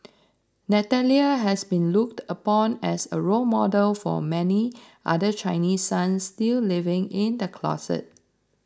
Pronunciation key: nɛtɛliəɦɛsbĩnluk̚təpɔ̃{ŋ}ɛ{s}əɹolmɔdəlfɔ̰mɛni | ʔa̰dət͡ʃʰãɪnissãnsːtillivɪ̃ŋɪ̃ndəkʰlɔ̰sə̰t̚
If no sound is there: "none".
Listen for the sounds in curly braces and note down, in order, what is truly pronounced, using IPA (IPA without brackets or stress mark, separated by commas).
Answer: n, s